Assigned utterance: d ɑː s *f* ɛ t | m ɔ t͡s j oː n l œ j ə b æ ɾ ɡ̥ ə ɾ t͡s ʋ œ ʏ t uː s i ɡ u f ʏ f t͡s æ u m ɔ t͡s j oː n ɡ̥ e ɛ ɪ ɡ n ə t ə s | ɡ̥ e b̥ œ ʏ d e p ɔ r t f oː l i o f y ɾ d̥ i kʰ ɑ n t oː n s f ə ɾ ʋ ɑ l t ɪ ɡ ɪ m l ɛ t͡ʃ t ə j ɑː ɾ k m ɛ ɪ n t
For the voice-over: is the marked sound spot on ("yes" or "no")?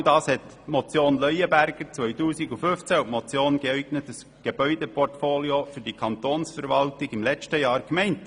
no